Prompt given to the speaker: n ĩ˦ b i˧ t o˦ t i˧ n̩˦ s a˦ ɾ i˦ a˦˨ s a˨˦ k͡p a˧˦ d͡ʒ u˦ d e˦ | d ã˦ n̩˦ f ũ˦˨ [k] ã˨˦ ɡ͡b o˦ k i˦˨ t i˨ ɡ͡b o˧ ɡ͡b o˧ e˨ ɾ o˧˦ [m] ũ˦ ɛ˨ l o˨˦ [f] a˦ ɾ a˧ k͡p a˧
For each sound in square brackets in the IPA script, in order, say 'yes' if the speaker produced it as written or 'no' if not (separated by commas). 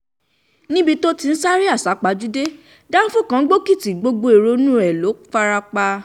yes, no, yes